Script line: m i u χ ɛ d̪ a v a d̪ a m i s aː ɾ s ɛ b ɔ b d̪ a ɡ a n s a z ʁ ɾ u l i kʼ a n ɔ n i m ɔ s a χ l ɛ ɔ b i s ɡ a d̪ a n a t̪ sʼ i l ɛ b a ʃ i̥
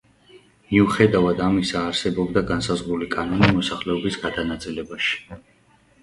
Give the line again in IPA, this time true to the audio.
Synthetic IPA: m i u χ ɛ d̪ a v a d̪ a m i s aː ɾ s ɛ b ɔ b d̪ a ɡ a n s a z ʁ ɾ u l i kʼ a n ɔ n i m ɔ s a χ l ɛ ɔ b i s ɡ a d̪ a n a t̪ sʼ i l ɛ b a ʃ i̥